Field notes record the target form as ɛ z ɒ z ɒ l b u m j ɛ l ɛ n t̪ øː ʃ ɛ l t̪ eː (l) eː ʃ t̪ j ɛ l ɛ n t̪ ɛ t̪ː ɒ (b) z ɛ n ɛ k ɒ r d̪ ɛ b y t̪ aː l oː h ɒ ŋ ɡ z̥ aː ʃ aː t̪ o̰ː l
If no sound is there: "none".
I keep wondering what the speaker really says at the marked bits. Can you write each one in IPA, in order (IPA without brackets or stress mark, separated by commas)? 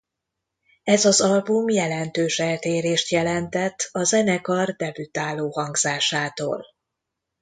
ɾ, none